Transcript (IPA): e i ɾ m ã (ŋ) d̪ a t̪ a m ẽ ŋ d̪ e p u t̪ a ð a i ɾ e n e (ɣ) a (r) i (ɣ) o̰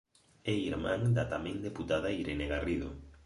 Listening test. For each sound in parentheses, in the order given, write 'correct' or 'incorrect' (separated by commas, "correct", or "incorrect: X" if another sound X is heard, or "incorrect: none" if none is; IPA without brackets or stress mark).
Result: correct, correct, correct, incorrect: ð